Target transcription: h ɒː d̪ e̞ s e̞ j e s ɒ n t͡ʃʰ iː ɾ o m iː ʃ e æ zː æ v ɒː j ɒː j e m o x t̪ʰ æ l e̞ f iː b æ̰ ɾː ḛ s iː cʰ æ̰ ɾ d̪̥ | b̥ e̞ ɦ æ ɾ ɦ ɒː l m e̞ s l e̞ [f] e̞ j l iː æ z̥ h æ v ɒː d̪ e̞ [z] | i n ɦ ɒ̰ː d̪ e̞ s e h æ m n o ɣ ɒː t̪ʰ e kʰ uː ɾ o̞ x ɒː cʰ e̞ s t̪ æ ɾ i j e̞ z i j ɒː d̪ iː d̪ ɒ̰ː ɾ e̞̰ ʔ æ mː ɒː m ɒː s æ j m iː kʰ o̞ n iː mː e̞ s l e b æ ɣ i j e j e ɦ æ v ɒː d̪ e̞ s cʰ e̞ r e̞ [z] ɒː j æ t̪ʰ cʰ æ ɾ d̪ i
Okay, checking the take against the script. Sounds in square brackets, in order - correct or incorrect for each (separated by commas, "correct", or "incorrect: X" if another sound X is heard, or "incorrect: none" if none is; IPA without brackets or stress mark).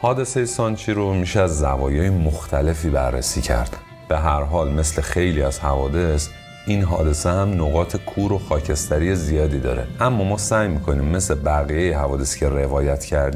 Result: incorrect: x, incorrect: s, incorrect: v